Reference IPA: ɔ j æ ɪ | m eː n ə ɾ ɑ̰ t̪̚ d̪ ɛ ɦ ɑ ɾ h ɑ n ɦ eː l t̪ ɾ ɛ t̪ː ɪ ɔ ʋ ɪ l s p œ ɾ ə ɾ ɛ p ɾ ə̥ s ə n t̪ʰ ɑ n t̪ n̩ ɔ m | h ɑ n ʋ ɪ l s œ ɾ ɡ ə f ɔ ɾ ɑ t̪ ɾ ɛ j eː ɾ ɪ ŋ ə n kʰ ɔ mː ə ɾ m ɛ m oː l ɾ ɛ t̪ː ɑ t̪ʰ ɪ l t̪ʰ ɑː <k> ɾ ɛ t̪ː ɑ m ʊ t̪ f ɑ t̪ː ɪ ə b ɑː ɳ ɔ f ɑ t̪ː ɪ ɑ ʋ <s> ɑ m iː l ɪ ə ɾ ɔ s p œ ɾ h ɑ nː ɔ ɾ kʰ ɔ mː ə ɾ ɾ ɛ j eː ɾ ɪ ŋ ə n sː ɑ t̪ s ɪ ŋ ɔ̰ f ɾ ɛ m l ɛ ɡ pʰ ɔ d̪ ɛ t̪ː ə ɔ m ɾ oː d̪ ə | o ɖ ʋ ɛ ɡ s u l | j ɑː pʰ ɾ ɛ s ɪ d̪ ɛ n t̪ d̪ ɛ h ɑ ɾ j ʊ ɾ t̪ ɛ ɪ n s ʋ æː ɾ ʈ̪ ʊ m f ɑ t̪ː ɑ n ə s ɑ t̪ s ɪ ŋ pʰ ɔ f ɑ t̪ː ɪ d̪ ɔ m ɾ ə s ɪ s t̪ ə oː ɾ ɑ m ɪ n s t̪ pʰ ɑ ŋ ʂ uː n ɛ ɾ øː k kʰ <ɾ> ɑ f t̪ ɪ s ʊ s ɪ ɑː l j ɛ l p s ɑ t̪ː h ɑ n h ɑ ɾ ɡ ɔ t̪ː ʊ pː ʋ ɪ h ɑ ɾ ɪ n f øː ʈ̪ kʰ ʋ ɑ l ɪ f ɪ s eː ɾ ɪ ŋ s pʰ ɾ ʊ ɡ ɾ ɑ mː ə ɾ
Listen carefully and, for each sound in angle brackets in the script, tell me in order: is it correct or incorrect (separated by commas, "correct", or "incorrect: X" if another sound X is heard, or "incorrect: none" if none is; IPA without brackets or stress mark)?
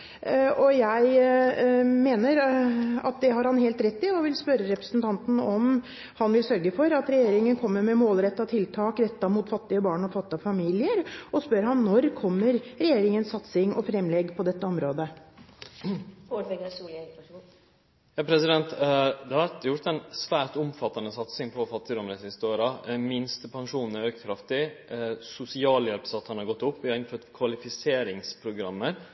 correct, incorrect: f, correct